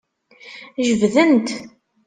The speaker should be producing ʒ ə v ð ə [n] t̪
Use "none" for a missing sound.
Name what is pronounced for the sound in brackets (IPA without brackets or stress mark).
n